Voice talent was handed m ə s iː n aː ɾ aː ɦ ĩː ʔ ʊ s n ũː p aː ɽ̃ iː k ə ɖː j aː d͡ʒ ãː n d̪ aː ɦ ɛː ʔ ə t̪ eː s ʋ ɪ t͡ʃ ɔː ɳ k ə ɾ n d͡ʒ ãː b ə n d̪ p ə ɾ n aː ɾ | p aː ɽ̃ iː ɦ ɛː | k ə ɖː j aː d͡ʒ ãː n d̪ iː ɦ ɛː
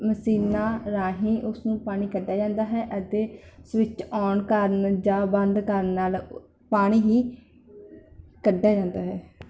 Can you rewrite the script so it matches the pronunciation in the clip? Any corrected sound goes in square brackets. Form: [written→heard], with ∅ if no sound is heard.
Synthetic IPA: m ə s iː n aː ɾ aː ɦ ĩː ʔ ʊ s n ũː p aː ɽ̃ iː k ə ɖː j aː d͡ʒ ãː n d̪ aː ɦ ɛː ʔ ə t̪ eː s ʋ ɪ t͡ʃ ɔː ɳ k ə ɾ n d͡ʒ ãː b ə n d̪ [p→k] ə ɾ n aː [ɾ→l] | p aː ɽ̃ iː ɦ [ɛː→iː] | k ə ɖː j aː d͡ʒ ãː n d̪ [iː→aː] ɦ ɛː